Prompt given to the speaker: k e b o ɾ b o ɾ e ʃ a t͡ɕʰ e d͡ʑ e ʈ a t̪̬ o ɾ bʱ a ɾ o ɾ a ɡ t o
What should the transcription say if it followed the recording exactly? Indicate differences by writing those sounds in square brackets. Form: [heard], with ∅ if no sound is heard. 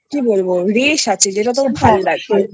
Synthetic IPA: k [i] b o [l] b o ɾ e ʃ a t͡ɕʰ e d͡ʑ e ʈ a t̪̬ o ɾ bʱ a [l] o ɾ a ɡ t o

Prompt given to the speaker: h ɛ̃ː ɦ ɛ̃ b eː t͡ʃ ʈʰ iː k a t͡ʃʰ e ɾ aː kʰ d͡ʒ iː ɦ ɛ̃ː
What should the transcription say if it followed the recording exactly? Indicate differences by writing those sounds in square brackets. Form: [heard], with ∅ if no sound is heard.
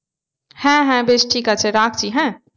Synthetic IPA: h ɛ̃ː ɦ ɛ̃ b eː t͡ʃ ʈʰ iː k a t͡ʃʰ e ɾ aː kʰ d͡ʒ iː ɦ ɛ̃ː

